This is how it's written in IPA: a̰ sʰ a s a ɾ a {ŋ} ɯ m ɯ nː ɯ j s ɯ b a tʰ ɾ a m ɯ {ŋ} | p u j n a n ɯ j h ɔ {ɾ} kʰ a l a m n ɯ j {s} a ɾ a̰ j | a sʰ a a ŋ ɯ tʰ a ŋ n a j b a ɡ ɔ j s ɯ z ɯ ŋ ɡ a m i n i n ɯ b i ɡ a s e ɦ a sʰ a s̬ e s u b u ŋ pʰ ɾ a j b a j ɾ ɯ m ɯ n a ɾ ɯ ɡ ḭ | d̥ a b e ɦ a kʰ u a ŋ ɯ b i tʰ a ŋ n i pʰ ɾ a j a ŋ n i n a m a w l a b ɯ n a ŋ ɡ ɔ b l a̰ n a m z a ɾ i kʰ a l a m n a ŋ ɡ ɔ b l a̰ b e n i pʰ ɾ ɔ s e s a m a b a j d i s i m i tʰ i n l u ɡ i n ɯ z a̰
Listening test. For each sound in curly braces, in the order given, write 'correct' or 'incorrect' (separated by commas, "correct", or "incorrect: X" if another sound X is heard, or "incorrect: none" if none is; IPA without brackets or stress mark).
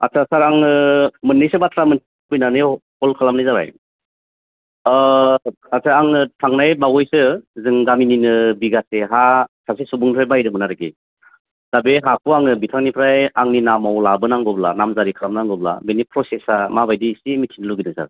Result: correct, incorrect: n, incorrect: l, incorrect: z